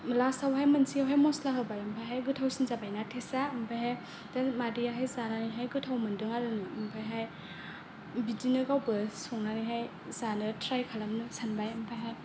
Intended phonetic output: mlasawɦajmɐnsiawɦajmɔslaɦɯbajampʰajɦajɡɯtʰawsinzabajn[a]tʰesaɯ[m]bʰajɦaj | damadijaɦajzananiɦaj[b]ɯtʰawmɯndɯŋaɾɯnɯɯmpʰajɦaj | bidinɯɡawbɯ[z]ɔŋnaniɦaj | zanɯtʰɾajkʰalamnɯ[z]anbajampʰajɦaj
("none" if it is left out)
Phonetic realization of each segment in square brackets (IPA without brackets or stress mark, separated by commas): a, m, ɡ, s, s